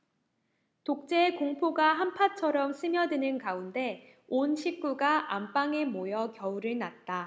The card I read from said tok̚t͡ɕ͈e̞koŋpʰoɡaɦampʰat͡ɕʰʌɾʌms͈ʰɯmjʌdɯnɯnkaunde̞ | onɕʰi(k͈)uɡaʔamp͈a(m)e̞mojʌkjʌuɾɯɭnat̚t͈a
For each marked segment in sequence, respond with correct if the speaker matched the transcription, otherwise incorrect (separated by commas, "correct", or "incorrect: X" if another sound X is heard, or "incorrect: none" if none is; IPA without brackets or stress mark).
correct, incorrect: ŋ